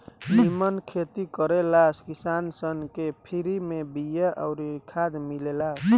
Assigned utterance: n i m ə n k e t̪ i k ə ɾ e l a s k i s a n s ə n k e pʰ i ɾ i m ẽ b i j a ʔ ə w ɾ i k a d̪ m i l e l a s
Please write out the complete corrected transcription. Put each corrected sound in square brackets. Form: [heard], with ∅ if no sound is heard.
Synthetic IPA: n i m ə n [kʰ] e t̪ i k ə ɾ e l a s k i s a n s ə n k e pʰ i ɾ i m [e] b i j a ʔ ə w ɾ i [kʰ] a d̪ m i l e l a s